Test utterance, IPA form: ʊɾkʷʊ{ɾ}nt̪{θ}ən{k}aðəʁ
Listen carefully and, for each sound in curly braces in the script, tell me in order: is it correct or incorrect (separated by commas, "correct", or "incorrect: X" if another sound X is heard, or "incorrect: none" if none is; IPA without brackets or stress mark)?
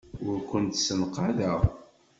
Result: incorrect: none, incorrect: s, incorrect: q